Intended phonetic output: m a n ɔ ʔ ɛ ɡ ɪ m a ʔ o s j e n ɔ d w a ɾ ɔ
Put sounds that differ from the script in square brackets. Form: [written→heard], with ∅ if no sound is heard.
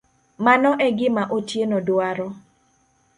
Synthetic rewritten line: m a n ɔ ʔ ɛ ɡ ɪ m a ʔ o [s→t] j e n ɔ d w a ɾ ɔ